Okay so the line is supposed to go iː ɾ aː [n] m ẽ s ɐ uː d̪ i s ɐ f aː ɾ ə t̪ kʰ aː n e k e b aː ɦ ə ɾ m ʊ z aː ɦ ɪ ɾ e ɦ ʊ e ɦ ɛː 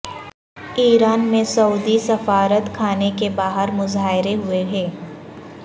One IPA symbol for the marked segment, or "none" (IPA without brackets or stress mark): n